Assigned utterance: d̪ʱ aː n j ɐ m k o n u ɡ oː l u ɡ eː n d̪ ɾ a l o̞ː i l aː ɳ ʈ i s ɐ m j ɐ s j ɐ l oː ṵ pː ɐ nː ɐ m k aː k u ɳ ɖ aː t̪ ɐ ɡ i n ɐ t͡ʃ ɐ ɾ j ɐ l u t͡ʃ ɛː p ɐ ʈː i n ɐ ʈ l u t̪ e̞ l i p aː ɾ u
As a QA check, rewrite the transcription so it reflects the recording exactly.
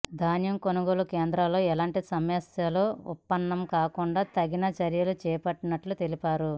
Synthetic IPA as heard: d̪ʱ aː n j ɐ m k o n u ɡ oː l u k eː n d̪ ɾ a l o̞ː ɛ l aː ɳ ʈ i s ɐ m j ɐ s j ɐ l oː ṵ pː ɐ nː ɐ m k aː k u ɳ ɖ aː t̪ ɐ ɡ i n ɐ t͡ʃ ɐ ɾ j ɐ l u t͡ʃ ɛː p ɐ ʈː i n ɐ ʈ l u t̪ e̞ l i p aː ɾ u